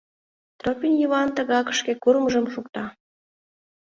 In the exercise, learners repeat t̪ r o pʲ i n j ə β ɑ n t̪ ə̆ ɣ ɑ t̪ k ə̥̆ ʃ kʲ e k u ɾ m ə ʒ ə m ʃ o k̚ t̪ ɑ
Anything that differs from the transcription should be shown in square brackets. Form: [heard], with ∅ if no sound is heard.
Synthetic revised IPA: t̪ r o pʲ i n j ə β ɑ n t̪ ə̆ ɣ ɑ [∅] k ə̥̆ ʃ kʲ e k u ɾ m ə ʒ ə m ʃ [u] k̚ t̪ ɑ